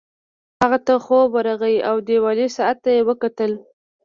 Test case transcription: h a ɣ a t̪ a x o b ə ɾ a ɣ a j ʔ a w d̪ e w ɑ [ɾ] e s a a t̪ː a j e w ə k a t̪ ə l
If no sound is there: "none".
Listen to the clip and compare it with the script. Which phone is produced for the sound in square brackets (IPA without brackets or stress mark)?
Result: l